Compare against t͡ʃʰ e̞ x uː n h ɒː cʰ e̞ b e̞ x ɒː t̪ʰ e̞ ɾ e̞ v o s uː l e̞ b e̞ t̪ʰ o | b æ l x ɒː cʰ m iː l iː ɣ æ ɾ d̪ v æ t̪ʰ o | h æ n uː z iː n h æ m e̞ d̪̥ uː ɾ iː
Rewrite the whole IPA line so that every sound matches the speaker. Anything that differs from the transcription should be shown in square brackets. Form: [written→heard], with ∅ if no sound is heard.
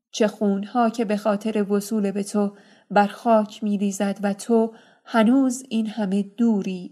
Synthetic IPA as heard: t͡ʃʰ e̞ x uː n h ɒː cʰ e̞ b e̞ x ɒː t̪ʰ e̞ ɾ e̞ v o s uː l e̞ b e̞ t̪ʰ o | b æ [l→ɾ] x ɒː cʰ m iː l iː [ɣ→z] æ [ɾ→∅] d̪ v æ t̪ʰ o | h æ n uː z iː n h æ m e̞ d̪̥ uː ɾ iː